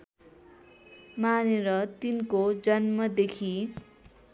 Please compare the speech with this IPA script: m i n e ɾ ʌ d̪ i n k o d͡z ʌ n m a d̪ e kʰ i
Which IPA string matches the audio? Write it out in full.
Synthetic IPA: m a n e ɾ ʌ t̪ i n k o d͡z ʌ n m ʌ d̪ e kʰ i